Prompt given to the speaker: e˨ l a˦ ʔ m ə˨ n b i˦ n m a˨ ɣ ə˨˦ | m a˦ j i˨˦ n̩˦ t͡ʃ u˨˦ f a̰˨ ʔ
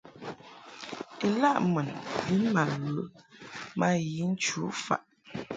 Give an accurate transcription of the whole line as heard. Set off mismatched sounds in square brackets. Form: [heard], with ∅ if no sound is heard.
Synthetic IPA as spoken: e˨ l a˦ ʔ m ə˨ n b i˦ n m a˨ ɣ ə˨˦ | m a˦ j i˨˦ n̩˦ t͡ʃ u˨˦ f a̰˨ ʔ